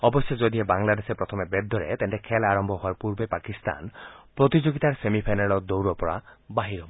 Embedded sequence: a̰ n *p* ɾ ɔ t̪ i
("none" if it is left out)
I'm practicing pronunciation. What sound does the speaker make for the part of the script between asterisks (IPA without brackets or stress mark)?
p